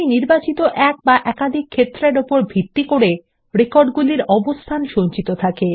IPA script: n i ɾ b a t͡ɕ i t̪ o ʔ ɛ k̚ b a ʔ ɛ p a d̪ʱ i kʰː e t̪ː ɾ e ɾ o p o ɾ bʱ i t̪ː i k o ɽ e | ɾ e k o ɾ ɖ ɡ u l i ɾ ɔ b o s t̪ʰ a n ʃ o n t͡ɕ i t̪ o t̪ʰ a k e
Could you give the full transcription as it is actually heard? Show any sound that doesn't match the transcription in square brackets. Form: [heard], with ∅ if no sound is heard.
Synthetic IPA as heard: n i ɾ b a t͡ɕ i t̪ o ʔ ɛ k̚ b a ʔ ɛ [k] a d̪ʱ i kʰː e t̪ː ɾ e ɾ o p o ɾ bʱ i t̪ː i k o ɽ e | ɾ e k o ɾ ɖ ɡ u l i ɾ ɔ b o s t̪ʰ a n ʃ o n t͡ɕ i t̪ o t̪ʰ a k e